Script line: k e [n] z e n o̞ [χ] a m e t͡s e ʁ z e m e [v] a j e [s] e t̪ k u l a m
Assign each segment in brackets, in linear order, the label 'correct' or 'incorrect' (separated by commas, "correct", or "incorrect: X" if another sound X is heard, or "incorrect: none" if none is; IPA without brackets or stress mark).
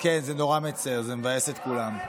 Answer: correct, incorrect: ʁ, correct, correct